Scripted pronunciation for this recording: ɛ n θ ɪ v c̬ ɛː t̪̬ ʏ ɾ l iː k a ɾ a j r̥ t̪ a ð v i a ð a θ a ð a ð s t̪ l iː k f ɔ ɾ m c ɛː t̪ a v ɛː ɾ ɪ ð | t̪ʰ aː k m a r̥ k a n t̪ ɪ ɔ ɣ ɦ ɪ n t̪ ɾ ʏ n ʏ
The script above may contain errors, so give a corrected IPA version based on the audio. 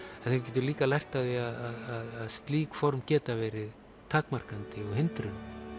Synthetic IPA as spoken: ɛ n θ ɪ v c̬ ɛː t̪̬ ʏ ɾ l iː k a l a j r̥ t̪ a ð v i a ð a ð a ð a ð s t̪ l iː k f ɔ ɾ m c ɛː t̪ a v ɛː ɾ ɪ ð | t̪ʰ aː k m a r̥ k a n t̪ ɪ ɔ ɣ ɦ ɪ n t̪ ɾ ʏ n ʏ